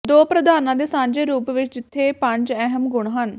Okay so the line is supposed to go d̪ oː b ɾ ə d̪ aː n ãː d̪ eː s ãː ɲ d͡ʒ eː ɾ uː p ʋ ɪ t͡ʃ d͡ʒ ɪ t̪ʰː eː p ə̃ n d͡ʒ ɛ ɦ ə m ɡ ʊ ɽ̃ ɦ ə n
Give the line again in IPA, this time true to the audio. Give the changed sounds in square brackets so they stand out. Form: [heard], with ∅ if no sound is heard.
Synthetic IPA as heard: d̪ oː [p] ɾ ə d̪ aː n ãː d̪ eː s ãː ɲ d͡ʒ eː ɾ uː p ʋ ɪ t͡ʃ d͡ʒ ɪ t̪ʰː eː p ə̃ [ɲ] d͡ʒ ɛ ɦ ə m ɡ ʊ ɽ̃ ɦ ə n